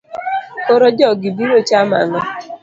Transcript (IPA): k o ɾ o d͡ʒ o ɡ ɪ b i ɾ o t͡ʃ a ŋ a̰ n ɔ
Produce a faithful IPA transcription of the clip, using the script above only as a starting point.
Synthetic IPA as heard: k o ɾ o d͡ʒ ɔ ɡ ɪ b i ɾ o t͡ʃ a m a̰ ŋ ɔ